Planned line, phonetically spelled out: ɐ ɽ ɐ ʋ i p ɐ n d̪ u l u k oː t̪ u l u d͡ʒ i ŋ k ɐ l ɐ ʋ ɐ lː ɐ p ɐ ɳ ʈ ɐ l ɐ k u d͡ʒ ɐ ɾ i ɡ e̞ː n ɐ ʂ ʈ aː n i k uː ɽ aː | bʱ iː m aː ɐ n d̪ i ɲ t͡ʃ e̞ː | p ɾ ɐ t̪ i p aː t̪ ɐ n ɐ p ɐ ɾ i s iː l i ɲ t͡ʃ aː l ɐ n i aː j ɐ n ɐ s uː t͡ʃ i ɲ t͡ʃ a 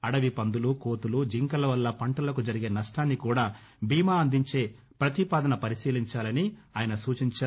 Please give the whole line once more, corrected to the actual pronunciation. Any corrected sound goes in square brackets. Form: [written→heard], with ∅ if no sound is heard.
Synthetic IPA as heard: ɐ ɽ ɐ ʋ i p ɐ n d̪ u l u k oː t̪ u l u d͡ʒ i ŋ k ɐ l ɐ ʋ ɐ lː ɐ p ɐ ɳ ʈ ɐ l ɐ k u d͡ʒ ɐ ɾ i ɡ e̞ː n ɐ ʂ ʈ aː [n→nː] i k uː ɽ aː | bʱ iː m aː ɐ n d̪ i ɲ t͡ʃ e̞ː | p ɾ ɐ t̪ i p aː [t̪→d̪] ɐ n ɐ p ɐ ɾ i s iː l i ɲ t͡ʃ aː l ɐ n i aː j ɐ n ɐ s uː t͡ʃ i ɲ t͡ʃ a